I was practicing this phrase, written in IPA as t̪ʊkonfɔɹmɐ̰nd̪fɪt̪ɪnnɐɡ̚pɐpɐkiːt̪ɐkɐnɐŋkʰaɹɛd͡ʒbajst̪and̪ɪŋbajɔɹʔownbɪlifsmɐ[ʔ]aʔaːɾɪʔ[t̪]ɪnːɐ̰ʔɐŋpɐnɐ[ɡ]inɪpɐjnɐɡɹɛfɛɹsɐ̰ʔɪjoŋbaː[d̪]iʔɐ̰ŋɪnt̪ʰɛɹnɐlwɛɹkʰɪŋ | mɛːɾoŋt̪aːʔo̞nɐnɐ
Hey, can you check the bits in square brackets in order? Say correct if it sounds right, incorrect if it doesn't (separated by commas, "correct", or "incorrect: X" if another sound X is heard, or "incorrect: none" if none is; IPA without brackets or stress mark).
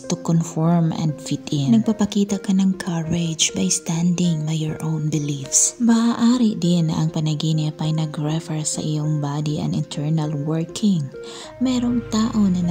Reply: correct, incorrect: d̪, correct, correct